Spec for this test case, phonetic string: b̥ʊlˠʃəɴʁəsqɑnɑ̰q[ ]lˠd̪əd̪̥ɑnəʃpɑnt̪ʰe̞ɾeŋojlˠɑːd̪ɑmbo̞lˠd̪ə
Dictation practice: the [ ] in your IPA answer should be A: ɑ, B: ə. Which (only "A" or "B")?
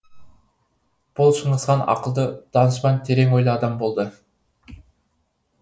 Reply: B